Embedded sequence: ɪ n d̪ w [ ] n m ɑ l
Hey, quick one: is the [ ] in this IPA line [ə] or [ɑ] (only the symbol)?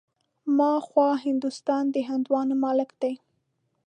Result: ɑ